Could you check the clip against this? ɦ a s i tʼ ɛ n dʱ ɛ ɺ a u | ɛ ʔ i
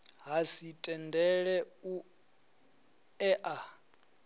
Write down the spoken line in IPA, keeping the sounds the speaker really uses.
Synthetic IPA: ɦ a s i tʼ ɛ n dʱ ɛ ɺ ɛ u | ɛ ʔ a